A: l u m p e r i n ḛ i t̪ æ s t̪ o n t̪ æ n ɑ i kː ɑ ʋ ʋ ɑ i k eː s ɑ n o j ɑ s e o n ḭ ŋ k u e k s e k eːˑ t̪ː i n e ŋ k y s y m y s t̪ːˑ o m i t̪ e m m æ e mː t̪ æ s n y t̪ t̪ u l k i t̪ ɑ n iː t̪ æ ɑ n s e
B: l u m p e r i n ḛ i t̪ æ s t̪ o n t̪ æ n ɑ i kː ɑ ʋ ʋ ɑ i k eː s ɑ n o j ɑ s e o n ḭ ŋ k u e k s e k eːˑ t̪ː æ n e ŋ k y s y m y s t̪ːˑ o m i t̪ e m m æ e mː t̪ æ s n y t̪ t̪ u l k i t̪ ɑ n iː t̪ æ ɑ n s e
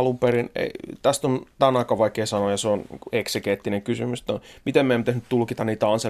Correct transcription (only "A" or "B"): A